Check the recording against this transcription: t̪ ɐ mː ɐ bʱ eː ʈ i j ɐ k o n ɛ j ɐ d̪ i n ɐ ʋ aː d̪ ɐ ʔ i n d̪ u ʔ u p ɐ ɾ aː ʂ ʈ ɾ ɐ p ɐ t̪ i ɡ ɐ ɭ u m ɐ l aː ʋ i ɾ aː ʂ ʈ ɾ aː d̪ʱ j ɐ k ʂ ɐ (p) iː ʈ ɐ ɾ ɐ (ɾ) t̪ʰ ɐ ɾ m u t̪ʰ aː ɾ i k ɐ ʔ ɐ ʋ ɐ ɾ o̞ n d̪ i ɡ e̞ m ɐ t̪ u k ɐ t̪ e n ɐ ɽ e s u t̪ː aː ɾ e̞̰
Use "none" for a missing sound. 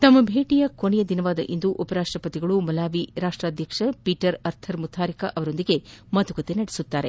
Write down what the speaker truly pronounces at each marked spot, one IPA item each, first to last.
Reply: p, ɾ

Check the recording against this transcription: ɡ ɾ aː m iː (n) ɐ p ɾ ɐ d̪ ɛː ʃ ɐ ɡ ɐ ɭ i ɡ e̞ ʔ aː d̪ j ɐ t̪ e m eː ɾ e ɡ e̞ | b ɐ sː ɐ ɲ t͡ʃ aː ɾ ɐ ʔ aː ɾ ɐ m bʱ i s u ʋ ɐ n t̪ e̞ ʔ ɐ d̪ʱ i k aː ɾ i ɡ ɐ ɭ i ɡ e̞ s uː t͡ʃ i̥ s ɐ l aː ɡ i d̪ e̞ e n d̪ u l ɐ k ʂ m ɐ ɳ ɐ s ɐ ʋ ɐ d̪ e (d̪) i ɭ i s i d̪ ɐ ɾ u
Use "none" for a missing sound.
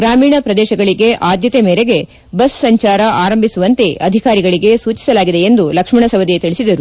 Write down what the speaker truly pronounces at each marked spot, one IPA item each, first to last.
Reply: ɳ, t̪

